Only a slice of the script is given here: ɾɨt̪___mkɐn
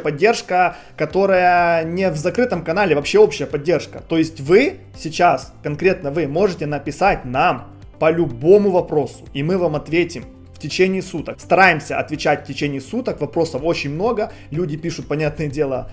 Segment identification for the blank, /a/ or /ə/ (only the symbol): ə